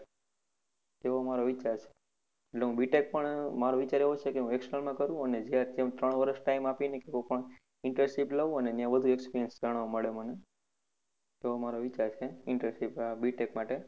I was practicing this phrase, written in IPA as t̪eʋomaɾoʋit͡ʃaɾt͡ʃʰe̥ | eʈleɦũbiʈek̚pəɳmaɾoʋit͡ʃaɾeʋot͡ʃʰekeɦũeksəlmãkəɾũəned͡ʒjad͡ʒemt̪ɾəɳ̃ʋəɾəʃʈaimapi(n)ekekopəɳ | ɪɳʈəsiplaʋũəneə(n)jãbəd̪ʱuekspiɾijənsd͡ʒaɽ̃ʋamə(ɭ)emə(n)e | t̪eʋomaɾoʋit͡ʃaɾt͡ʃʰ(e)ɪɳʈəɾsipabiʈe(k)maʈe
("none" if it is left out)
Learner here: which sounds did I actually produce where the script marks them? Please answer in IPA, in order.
n, n, ɭ, n, e, k

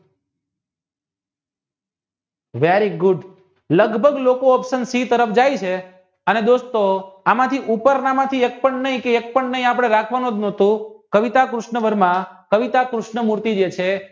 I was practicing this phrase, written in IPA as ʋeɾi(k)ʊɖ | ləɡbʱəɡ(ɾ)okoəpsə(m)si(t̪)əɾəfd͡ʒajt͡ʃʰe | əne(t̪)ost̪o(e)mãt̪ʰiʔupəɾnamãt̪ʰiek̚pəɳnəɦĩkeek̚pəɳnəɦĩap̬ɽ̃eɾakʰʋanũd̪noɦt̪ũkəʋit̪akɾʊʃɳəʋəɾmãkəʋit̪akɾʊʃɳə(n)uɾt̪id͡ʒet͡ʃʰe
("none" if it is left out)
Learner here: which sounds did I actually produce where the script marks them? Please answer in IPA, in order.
ɡ, l, n, t̪, d̪, a, m

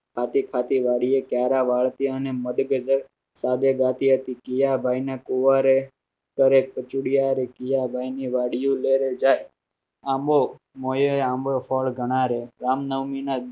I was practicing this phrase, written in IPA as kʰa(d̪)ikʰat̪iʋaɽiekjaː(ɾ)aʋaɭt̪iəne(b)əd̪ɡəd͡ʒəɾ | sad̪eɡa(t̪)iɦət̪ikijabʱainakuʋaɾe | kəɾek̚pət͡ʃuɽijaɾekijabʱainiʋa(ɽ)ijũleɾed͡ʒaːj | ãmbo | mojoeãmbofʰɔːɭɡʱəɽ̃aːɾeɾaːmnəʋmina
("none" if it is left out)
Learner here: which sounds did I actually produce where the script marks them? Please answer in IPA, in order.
t̪, ɾ, m, t̪, ɽ

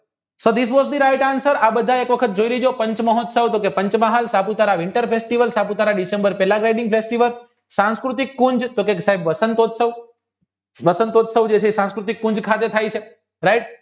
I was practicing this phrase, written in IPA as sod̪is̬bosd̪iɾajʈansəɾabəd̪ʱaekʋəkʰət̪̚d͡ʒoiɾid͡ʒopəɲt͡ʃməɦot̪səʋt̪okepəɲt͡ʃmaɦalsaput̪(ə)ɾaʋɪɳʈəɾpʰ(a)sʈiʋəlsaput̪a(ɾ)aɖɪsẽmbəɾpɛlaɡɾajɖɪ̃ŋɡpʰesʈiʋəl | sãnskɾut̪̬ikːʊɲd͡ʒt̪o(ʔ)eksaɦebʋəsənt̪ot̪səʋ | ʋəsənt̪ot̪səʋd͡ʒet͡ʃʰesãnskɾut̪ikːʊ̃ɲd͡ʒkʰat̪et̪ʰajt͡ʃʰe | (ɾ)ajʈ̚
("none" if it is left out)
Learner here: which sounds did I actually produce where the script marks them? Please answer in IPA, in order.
a, e, ɾ, k, ɾ

